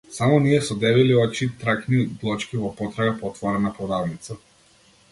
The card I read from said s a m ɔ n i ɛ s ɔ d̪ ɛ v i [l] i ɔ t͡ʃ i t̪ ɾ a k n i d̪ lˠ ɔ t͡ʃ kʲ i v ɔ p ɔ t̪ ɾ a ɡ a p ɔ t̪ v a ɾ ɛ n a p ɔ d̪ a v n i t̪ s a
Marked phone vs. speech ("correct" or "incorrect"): correct